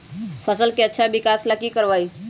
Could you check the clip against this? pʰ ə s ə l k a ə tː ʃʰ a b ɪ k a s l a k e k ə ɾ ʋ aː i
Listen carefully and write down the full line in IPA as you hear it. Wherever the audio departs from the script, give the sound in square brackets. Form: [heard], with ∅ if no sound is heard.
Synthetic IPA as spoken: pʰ ə s ə l k [e] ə tː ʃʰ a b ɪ k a s l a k [i] k ə ɾ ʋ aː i